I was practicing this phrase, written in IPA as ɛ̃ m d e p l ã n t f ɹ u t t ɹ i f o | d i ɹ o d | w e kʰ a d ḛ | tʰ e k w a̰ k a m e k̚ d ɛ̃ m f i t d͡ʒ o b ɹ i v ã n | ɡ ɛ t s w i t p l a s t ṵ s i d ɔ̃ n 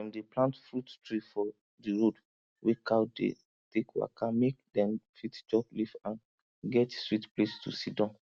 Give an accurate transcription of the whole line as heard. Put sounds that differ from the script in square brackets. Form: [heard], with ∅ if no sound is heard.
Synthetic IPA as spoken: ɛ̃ m d e p l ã n t f ɹ u t t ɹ i f [ɔ] | d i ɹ o d | w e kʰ a d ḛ | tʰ e k w a̰ k a m e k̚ d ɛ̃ m f i t d͡ʒ [ɔ] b [l] i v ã n | ɡ ɛ t s w i t p l [e] s t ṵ s i d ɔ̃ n